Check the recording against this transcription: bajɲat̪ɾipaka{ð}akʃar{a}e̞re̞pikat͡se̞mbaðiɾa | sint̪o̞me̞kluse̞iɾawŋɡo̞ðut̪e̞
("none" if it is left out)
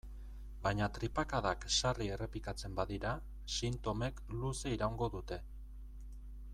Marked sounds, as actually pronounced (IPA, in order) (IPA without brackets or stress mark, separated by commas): ð, i